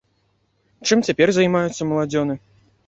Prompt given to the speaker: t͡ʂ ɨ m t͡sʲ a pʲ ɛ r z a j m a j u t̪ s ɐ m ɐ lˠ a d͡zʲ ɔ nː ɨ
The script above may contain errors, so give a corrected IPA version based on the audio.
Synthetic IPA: t͡ʂ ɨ m t͡sʲ a pʲ ɛ r z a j m a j u t̪ sː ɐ m ɐ lˠ a d͡zʲ ɔ n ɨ